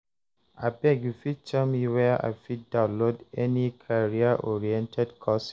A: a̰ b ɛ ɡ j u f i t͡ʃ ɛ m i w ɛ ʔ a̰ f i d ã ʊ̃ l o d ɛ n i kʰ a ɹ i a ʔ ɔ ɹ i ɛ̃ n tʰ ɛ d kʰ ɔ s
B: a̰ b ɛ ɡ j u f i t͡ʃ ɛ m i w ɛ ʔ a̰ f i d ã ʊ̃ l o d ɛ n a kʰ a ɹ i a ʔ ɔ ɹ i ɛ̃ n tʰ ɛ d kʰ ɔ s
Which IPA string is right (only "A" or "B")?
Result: A